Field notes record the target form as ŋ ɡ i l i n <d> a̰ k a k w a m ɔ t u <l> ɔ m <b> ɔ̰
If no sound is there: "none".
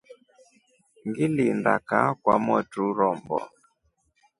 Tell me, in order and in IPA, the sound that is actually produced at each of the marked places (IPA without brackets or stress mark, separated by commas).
d, ɾ, b